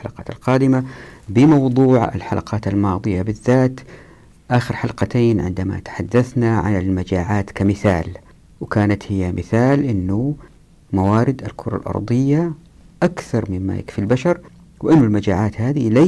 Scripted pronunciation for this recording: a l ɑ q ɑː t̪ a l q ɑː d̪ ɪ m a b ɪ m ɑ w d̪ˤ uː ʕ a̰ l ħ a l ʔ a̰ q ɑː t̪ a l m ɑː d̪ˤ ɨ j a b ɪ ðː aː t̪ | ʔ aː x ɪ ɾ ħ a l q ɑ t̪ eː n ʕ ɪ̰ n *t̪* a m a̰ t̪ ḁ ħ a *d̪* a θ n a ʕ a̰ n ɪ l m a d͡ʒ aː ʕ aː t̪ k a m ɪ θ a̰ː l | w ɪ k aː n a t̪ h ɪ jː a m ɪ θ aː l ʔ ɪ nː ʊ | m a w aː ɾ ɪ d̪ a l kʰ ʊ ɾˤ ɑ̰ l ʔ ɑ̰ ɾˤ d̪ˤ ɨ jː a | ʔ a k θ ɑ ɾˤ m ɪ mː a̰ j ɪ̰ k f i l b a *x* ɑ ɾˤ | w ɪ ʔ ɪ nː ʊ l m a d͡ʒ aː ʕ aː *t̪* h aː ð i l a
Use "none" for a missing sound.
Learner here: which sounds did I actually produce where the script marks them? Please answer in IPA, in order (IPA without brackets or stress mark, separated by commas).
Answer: d̪, d̪ː, ʃ, t̪